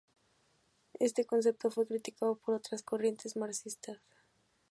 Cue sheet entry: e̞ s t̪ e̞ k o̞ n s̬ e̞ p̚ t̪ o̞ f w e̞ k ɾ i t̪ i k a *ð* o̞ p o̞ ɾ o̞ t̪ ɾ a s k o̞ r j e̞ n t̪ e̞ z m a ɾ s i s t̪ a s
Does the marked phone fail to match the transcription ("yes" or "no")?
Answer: no